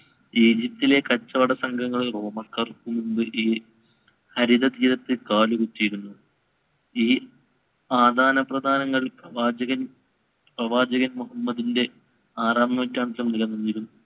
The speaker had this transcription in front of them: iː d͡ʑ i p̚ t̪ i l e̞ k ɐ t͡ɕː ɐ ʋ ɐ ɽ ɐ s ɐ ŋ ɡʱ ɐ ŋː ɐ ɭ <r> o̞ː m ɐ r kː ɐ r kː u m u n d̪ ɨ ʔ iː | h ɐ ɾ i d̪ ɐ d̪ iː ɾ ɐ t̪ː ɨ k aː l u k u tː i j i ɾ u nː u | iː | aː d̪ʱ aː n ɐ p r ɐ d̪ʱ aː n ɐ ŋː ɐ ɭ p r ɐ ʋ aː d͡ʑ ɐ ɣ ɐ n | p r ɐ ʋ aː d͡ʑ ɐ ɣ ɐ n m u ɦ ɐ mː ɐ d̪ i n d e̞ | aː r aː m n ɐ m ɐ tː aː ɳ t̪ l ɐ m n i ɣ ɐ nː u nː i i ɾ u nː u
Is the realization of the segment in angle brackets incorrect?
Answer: no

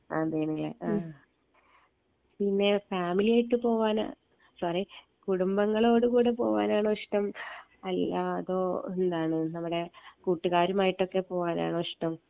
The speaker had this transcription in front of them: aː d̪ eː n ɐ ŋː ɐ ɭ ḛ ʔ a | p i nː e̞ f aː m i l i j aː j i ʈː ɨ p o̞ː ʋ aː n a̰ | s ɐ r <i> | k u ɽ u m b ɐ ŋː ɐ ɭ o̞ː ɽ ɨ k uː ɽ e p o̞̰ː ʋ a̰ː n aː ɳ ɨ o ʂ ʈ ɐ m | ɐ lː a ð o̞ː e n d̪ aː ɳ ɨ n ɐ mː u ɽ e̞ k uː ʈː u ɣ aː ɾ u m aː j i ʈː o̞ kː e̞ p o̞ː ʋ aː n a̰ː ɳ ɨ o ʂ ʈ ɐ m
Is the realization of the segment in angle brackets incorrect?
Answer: no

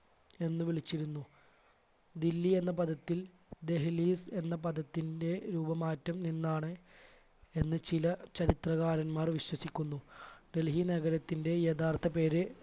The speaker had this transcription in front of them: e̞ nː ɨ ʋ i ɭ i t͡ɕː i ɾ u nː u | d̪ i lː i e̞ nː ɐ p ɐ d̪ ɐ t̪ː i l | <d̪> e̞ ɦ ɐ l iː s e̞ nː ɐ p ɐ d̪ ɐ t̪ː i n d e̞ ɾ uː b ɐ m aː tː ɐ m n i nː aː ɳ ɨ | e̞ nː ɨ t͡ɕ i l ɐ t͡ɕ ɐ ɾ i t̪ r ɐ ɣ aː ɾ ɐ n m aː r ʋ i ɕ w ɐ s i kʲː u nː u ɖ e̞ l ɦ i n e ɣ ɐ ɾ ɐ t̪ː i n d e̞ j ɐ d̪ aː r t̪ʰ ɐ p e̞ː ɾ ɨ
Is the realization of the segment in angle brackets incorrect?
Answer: no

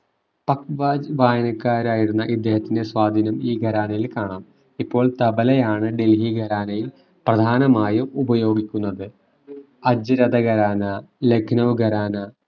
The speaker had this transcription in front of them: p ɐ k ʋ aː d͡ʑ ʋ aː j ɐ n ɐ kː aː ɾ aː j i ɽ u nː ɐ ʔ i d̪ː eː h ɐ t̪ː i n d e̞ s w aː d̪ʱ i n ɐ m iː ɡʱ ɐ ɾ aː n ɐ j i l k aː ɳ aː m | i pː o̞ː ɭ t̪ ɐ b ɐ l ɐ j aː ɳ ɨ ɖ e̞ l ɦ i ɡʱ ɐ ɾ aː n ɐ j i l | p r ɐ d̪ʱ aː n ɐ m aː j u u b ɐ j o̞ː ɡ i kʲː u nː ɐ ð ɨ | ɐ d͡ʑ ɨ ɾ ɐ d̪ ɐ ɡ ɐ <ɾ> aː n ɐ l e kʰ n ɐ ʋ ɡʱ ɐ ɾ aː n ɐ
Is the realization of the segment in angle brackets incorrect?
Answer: no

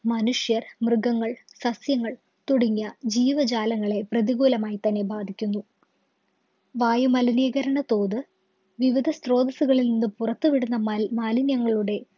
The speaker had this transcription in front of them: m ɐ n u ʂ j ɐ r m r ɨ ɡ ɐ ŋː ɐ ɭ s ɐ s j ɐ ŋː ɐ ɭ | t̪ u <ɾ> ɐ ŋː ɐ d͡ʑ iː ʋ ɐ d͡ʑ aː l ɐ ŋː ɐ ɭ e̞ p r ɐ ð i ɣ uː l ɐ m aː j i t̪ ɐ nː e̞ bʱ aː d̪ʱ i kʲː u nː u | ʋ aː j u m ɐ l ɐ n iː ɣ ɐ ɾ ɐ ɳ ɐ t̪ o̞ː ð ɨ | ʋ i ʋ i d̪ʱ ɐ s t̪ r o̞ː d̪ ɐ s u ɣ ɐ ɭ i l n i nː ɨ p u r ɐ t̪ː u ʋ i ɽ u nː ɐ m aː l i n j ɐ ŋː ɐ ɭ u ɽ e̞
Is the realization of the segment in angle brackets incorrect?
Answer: yes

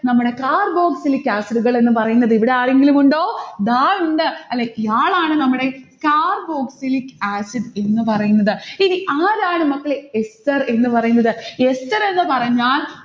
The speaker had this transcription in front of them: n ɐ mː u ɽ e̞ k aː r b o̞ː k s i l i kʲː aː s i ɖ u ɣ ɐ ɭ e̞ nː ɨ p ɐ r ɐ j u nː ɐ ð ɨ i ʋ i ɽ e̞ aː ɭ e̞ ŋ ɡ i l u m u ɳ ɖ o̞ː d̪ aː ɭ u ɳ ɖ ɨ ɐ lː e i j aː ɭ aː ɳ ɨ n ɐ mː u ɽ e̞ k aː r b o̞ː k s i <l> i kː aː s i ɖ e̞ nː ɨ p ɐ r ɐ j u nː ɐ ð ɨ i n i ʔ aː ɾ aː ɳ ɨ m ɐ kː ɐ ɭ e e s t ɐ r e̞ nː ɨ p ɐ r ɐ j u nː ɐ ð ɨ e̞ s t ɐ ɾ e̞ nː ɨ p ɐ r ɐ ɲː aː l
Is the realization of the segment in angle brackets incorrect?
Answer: no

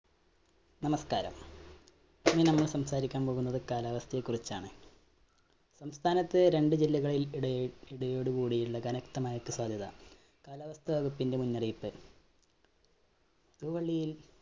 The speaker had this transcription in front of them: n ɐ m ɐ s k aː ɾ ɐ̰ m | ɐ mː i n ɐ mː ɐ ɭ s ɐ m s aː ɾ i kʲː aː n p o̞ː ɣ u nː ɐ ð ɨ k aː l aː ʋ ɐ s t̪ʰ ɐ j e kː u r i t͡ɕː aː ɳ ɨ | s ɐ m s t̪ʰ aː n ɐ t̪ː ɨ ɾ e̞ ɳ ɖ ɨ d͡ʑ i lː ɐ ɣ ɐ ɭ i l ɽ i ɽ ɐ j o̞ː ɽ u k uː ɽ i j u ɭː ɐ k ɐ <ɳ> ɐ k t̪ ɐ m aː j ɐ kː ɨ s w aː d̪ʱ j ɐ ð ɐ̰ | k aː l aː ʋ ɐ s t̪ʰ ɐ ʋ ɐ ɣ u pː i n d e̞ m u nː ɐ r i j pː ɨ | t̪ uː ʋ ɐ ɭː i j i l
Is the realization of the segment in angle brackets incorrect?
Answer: yes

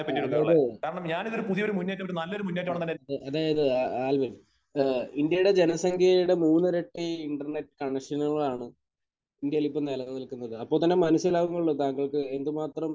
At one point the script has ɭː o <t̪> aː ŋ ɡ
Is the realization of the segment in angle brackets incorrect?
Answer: no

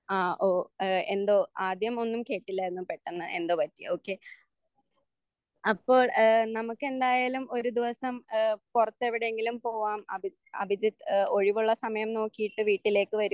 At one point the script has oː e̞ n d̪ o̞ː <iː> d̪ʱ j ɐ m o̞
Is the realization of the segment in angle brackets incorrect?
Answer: yes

